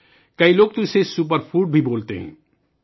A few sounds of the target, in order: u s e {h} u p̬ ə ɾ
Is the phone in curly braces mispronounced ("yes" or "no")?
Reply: yes